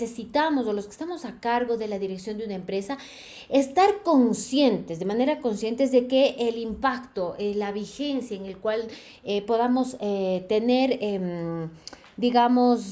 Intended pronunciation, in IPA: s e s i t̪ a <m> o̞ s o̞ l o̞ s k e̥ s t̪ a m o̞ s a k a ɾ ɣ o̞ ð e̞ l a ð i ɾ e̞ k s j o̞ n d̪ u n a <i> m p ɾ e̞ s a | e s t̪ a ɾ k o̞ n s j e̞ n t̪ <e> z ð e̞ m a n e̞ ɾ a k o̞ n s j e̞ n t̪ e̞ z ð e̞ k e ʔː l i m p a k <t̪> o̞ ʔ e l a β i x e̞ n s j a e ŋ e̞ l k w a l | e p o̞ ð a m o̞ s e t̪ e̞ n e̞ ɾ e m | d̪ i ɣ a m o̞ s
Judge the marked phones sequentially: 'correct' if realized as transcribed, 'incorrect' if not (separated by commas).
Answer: correct, incorrect, correct, correct